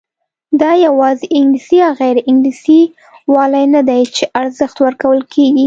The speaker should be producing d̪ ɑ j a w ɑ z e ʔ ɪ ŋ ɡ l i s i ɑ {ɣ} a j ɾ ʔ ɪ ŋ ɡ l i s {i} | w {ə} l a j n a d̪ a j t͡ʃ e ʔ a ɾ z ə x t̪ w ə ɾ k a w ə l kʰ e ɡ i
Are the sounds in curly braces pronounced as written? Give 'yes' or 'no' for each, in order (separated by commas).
yes, yes, no